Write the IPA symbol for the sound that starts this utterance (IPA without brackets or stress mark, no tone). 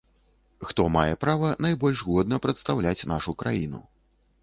x